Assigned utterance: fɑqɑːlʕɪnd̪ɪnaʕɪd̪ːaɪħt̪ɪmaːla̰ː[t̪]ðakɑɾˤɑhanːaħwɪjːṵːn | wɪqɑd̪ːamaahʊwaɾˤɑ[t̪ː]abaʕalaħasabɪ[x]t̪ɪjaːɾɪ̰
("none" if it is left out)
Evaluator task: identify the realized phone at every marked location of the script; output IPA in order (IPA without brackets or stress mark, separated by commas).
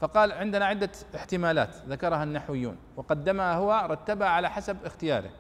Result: t̪, t̪ː, x